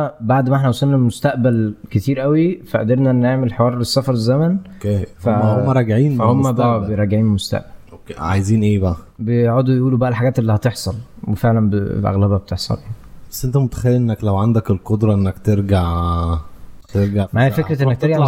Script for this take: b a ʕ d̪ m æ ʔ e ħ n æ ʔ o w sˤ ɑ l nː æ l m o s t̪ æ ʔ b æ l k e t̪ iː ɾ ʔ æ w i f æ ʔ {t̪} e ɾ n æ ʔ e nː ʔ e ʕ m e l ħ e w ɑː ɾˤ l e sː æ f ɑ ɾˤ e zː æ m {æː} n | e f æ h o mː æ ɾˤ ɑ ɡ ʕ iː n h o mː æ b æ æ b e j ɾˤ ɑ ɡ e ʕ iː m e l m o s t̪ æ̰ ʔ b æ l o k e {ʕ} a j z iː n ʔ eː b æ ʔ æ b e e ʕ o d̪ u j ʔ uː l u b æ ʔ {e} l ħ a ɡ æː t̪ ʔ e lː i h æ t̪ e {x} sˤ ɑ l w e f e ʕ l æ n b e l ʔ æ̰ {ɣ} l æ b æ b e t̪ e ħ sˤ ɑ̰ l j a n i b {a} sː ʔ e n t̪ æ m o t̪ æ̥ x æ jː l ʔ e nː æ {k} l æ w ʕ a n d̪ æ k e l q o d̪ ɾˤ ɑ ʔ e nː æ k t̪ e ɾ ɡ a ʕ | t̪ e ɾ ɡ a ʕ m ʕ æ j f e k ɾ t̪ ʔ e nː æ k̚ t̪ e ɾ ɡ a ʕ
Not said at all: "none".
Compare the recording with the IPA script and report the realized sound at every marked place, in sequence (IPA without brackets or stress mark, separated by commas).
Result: d̪, æ, ʕ, æ, ħ, ɣ, æ, k